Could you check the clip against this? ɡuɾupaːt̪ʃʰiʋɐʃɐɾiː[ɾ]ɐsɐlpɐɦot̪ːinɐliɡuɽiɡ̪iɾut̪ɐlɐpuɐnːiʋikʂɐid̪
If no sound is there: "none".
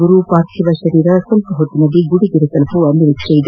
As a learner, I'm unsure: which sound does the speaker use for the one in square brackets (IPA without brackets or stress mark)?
ɾ